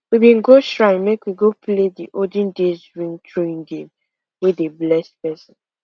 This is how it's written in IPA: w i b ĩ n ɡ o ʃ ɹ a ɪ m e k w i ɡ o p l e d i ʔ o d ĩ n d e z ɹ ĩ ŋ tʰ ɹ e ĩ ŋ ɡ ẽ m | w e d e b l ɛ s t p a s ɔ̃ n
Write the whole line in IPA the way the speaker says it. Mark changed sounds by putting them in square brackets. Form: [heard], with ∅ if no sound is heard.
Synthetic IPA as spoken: w i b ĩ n ɡ o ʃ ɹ a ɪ m e k w i ɡ o p l e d i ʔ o d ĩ n d e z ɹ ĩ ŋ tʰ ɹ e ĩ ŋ ɡ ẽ m | w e d e b l ɛ s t p [ɛ] s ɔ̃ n